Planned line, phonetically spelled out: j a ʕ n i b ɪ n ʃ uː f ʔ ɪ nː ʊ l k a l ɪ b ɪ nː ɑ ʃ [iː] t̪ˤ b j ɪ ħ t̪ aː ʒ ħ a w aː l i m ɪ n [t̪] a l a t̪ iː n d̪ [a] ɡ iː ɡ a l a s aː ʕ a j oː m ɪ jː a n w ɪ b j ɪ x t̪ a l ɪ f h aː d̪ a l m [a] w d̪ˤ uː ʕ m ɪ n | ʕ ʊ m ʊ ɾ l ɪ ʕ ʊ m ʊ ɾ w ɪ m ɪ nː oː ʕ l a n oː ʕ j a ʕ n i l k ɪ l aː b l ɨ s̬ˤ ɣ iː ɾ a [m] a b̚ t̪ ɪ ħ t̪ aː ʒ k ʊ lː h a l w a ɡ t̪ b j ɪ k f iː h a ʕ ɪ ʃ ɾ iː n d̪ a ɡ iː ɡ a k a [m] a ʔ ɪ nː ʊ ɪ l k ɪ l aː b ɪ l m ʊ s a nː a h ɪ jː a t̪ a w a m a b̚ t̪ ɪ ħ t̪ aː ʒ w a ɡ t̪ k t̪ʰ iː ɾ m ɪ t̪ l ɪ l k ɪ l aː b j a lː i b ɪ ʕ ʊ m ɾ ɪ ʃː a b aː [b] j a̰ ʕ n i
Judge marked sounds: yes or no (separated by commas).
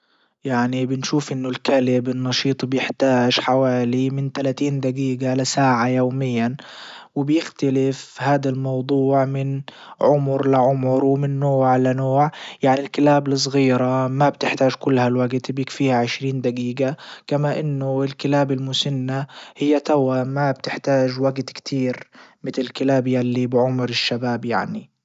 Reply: yes, yes, yes, no, yes, yes, yes